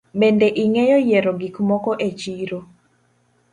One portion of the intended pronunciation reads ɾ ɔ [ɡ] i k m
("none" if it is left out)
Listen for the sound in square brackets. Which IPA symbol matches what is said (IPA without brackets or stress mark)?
ɡ